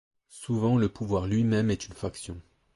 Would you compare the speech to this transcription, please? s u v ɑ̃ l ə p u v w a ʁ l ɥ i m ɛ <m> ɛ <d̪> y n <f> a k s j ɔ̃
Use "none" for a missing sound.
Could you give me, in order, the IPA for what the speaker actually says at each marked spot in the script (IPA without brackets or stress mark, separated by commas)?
m, t̪, f